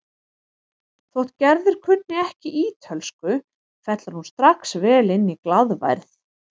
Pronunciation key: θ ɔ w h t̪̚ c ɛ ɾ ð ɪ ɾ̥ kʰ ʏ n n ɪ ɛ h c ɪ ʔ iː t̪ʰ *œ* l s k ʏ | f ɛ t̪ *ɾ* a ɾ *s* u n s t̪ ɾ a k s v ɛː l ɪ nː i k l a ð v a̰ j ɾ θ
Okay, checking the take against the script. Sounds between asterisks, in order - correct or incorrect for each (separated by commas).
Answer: correct, incorrect, incorrect